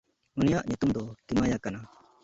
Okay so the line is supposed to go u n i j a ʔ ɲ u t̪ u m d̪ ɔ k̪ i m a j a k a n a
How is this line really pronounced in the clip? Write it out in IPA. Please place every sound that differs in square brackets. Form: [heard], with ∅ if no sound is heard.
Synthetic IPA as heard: u n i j a ʔ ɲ u t̪ u m d̪ ɔ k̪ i m a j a k a n a